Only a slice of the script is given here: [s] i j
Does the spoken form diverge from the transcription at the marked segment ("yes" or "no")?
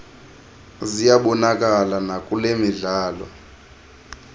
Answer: yes